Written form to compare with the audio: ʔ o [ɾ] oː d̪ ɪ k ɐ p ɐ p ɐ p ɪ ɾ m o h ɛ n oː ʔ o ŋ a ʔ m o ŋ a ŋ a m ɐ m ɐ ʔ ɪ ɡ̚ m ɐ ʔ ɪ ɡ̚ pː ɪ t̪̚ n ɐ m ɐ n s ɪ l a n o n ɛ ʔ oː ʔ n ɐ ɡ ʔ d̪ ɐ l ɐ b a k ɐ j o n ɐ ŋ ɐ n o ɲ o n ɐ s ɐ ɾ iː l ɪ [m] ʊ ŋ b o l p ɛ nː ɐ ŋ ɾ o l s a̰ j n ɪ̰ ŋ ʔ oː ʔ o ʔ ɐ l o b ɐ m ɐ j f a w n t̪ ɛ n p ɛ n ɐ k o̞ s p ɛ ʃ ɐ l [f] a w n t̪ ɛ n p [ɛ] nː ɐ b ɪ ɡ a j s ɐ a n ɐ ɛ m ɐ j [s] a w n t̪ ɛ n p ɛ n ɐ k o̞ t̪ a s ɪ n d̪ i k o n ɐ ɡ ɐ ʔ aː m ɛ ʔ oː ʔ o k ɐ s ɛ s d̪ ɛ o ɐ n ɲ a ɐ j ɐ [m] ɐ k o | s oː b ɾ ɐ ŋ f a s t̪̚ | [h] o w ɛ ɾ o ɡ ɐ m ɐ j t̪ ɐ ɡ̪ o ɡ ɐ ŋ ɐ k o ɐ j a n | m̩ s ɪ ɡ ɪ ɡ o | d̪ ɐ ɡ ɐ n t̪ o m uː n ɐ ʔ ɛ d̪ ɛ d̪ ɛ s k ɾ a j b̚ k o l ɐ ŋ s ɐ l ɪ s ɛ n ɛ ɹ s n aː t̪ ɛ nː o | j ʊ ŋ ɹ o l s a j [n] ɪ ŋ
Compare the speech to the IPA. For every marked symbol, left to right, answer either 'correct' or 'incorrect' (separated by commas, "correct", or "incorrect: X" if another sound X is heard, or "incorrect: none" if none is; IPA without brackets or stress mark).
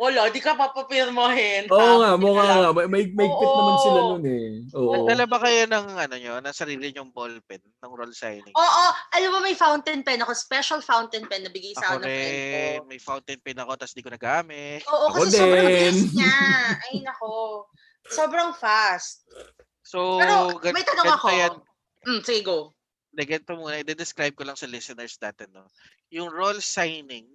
incorrect: l, incorrect: ɲ, correct, correct, incorrect: f, incorrect: n, incorrect: s, correct